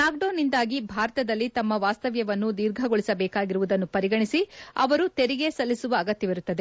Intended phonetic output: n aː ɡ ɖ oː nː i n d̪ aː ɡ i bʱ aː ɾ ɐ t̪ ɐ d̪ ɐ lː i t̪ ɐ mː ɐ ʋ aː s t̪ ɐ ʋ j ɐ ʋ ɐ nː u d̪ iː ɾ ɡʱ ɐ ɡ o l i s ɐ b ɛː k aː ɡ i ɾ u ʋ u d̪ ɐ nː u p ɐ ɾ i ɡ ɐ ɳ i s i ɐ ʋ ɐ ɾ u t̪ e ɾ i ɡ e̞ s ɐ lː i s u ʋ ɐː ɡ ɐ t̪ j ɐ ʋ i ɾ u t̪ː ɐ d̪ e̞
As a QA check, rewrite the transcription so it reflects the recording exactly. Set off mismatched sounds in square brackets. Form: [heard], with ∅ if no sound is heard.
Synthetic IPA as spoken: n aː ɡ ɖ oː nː i n d̪ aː ɡ i bʱ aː ɾ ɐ t̪ ɐ d̪ ɐ lː i t̪ ɐ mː ɐ ʋ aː s t̪ ɐ ʋ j ɐ ʋ ɐ nː u d̪ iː ɾ ɡʱ ɐ ɡ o [ɭ] i s ɐ b ɛː k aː ɡ i ɾ u ʋ u d̪ ɐ nː u p ɐ ɾ i ɡ ɐ ɳ i s i ɐ ʋ ɐ ɾ u t̪ e ɾ i ɡ e̞ s ɐ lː i s u ʋ ɐː ɡ ɐ t̪ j ɐ ʋ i ɾ u t̪ː ɐ d̪ e̞